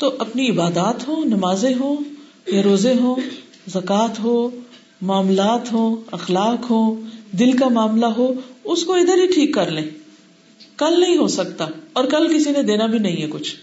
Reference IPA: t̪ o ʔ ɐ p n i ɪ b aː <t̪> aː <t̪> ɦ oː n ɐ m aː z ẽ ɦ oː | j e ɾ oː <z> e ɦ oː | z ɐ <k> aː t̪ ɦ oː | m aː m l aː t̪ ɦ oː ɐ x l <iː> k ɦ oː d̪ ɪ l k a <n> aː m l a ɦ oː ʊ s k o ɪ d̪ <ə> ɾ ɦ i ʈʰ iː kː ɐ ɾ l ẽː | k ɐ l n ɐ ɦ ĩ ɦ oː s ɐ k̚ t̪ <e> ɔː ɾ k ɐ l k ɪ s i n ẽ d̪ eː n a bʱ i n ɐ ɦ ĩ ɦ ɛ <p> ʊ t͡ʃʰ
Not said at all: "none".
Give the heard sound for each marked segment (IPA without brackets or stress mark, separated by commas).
d̪, t̪, z, k, aː, m, ə, a, k